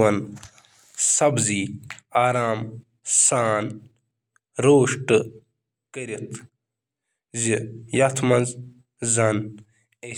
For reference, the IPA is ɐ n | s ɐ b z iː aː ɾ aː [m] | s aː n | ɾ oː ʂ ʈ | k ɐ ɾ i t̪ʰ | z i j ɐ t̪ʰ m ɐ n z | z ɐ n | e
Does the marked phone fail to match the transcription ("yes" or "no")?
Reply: no